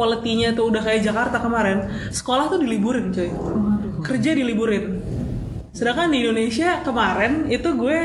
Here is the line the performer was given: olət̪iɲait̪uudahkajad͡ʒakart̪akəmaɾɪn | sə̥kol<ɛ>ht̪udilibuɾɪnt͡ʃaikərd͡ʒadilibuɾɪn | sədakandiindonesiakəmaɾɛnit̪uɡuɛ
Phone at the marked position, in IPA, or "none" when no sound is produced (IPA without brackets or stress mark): a